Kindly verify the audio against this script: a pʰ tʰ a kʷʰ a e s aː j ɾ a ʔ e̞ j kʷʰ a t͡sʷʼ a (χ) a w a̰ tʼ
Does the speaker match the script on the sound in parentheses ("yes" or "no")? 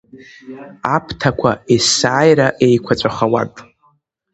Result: yes